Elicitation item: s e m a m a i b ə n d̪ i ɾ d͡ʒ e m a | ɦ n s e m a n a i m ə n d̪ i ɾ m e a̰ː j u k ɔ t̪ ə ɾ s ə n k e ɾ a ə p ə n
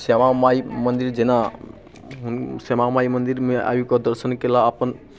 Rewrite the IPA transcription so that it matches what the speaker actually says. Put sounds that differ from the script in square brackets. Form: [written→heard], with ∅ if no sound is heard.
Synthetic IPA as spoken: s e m a m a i [b→m] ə n d̪ i ɾ d͡ʒ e [m→n] a | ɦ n s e m a [n→m] a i m ə n d̪ i ɾ m e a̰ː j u k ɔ [t̪→d̪] ə ɾ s ə n k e [ɾ→l] a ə p ə n